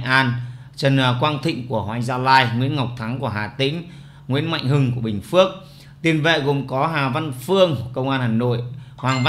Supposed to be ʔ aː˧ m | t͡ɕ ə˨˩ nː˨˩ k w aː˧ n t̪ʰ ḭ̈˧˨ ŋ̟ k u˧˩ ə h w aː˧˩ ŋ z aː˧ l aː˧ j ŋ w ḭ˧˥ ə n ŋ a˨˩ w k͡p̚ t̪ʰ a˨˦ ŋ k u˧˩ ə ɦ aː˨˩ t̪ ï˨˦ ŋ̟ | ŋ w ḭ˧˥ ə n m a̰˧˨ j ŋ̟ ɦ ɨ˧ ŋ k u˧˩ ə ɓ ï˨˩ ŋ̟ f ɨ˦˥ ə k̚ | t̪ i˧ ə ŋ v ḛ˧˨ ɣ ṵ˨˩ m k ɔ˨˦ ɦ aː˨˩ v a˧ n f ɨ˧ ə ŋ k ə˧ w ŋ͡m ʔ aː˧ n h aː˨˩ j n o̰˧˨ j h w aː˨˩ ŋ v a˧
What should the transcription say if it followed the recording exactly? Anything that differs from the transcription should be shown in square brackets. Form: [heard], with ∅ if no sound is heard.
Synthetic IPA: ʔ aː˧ [n] | t͡ɕ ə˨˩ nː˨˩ k w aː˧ n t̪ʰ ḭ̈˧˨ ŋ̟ k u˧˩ ə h w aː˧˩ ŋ z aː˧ l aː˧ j ŋ w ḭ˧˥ ə n ŋ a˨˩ w k͡p̚ t̪ʰ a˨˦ ŋ k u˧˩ ə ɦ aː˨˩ t̪ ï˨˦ ŋ̟ | ŋ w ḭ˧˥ ə n m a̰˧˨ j ŋ̟ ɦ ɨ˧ ŋ k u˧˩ ə ɓ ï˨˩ ŋ̟ f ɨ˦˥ ə k̚ | t̪ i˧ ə [n] v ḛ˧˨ ɣ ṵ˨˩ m k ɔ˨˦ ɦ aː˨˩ v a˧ n f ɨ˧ ə ŋ k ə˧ w ŋ͡m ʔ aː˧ n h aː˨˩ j n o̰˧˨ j h w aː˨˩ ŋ v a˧

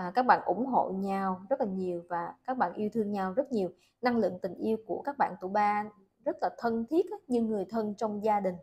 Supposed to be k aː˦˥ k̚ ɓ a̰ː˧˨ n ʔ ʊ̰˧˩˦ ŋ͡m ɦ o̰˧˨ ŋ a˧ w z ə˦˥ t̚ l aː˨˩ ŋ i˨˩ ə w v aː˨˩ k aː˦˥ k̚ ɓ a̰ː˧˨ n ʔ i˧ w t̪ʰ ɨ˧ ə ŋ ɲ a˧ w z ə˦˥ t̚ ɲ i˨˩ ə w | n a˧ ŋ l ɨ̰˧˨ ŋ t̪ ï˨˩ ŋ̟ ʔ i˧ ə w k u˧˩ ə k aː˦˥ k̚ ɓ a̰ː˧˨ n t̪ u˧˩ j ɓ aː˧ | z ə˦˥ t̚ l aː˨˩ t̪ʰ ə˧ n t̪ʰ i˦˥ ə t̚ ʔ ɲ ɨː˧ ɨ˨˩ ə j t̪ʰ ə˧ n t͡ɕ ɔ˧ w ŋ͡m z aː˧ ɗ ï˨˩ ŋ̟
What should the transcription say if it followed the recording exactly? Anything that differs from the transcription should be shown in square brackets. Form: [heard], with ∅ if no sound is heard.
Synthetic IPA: k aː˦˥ k̚ ɓ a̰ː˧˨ n ʔ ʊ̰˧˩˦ ŋ͡m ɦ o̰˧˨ [ɲ] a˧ w z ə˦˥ t̚ l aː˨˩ [ɲ] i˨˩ ə w v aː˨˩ k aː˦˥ k̚ ɓ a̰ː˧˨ n ʔ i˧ w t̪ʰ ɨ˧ ə ŋ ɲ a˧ w z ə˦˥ t̚ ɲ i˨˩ ə w | n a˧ ŋ l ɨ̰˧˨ ŋ t̪ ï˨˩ ŋ̟ ʔ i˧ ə w k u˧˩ ə k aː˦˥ k̚ ɓ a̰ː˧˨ n t̪ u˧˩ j ɓ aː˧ | z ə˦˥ t̚ l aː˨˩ t̪ʰ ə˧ n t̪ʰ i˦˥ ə t̚ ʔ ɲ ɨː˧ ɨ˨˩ ə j t̪ʰ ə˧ n t͡ɕ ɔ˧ w ŋ͡m z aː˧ ɗ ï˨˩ ŋ̟

